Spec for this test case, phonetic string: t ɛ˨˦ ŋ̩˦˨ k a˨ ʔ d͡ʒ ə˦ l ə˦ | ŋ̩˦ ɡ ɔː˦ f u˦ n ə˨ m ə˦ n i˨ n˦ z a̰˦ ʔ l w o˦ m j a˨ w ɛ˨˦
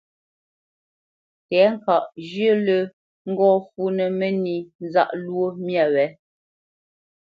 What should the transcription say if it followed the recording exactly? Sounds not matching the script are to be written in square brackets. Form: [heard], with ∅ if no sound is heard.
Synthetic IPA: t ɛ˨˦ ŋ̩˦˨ k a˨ ʔ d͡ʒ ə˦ l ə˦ | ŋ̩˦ ɡ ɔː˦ f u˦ n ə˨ m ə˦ n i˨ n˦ z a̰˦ ʔ l w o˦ m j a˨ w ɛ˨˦